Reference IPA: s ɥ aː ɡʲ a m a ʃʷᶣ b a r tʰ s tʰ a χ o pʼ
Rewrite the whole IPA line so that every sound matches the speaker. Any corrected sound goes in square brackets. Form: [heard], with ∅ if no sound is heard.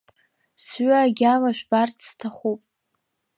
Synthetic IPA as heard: s ɥ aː ɡʲ a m a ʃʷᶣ b a r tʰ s tʰ a χ [u] pʼ